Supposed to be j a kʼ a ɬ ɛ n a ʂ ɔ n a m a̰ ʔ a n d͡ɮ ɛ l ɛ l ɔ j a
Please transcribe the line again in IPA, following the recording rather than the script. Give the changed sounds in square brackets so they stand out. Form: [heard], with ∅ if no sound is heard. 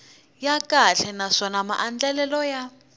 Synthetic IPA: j a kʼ a ɬ ɛ n a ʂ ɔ n a m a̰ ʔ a n d͡ɮ ɛ l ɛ l ɔ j a